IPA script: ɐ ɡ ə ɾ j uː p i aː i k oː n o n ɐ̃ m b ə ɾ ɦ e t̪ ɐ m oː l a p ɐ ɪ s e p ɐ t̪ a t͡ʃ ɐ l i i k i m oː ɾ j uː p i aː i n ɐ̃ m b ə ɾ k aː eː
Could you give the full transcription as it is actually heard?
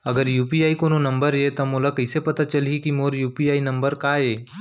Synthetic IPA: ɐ ɡ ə ɾ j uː p i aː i k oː n o n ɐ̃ m b ə ɾ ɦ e t̪ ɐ m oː l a k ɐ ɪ s e p ɐ t̪ a t͡ʃ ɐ l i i k i m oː ɾ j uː p i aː i n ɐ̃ m b ə ɾ k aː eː